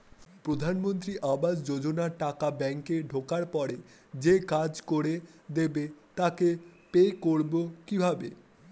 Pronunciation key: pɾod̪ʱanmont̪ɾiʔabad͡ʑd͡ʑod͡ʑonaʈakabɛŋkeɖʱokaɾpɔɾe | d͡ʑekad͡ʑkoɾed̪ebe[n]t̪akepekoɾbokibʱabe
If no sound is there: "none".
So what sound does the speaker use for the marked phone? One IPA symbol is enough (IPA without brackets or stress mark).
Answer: none